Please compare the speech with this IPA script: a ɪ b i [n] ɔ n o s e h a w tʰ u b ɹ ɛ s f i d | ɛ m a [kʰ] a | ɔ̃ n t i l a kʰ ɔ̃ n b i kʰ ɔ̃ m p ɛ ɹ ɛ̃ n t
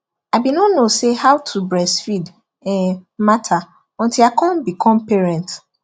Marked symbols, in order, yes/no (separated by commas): yes, no